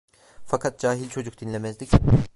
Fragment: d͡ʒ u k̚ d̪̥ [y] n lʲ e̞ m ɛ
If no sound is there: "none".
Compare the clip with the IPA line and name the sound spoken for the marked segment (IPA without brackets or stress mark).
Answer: i